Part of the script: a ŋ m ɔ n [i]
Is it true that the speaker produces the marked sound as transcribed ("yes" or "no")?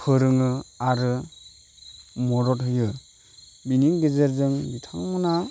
no